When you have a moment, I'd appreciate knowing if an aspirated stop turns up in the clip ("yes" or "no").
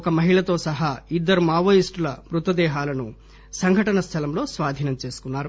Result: yes